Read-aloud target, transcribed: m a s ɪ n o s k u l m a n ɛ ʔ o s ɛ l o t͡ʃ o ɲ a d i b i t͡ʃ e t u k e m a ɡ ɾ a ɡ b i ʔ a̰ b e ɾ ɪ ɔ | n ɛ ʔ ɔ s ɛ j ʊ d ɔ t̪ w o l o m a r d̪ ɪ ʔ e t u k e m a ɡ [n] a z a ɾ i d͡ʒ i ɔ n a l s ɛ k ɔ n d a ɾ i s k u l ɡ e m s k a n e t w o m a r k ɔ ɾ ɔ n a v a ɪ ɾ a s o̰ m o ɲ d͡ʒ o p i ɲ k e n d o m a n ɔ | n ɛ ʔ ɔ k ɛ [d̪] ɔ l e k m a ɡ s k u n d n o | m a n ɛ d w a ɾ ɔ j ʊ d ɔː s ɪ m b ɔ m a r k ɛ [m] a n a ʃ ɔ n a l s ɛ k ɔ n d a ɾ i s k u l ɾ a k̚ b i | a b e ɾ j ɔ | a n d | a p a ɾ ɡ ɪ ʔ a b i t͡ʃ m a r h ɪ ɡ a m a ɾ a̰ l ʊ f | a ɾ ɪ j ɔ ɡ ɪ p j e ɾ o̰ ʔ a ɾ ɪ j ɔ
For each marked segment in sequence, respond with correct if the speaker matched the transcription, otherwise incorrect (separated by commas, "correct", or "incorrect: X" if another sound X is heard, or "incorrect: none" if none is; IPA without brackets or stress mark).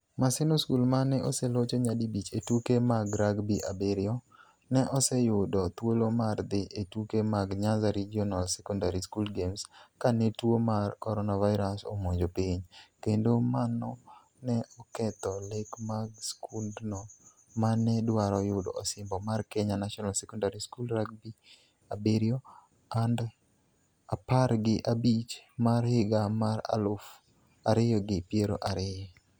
incorrect: ɲ, incorrect: t̪, incorrect: ɲ